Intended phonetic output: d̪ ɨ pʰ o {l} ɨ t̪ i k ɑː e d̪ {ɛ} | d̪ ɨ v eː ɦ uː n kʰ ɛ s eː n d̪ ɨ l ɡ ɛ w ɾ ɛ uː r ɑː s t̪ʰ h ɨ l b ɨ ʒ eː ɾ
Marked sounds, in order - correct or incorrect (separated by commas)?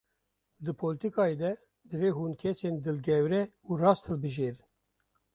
correct, correct